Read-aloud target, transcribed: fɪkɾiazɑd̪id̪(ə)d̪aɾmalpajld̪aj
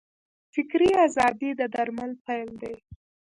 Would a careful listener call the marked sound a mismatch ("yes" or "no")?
no